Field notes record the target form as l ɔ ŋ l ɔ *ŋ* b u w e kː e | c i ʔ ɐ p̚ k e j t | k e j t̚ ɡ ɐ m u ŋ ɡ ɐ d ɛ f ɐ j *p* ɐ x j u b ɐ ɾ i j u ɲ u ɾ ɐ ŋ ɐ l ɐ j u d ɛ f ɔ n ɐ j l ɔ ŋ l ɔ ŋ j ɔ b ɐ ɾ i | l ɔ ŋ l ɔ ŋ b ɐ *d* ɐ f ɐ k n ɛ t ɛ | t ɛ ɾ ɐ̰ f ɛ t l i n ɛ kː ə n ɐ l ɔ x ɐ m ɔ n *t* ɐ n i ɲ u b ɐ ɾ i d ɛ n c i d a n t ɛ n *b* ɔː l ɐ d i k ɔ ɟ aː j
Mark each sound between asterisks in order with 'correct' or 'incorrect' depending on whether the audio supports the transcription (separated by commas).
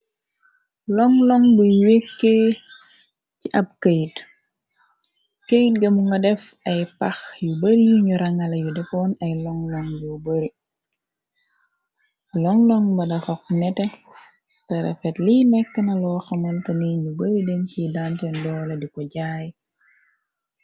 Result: correct, correct, correct, correct, incorrect